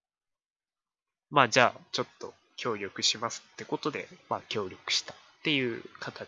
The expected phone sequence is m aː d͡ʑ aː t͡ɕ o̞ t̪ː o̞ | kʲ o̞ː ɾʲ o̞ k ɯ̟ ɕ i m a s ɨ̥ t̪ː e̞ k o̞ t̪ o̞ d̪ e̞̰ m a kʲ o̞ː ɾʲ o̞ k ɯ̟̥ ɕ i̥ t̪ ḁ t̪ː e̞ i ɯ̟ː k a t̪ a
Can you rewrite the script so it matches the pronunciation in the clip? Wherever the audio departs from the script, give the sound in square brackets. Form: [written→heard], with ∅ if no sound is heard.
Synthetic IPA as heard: m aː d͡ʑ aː t͡ɕ o̞ t̪ː o̞ | kʲ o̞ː ɾʲ o̞ k ɯ̟ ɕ i m a s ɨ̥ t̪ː e̞ k o̞ t̪ o̞ d̪ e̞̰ m a kʲ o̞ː ɾʲ o̞ k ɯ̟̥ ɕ i̥ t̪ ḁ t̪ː e̞ [i→j] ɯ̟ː k a t̪ a